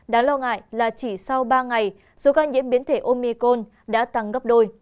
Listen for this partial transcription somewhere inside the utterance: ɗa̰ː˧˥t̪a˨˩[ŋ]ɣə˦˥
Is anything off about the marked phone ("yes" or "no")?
no